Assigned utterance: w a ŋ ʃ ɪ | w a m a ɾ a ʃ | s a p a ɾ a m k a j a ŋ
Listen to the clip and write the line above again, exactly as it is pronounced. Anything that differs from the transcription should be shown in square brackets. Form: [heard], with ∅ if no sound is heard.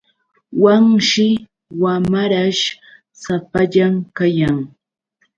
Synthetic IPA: w a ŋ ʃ ɪ | w a m a ɾ a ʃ | s a p a [ʎ] a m k a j a ŋ